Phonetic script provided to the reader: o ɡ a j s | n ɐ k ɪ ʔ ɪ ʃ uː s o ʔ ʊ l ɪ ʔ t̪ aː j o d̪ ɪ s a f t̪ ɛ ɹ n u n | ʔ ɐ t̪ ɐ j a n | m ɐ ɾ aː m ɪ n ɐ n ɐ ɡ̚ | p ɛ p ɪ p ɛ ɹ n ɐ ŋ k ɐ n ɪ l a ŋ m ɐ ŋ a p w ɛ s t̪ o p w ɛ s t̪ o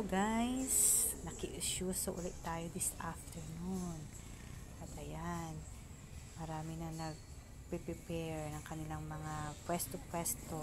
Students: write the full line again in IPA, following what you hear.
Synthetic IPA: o ɡ a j s | n ɐ k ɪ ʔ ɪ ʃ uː s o ʔ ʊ l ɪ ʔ t̪ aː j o d̪ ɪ s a f t̪ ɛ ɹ n u n | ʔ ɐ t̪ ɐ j a n | m ɐ ɾ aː m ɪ n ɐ n ɐ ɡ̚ | p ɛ p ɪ p ɛ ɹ n ɐ ŋ k ɐ n ɪ l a ŋ m ɐ ŋ a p w ɛ s t̪ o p w ɛ s t̪ o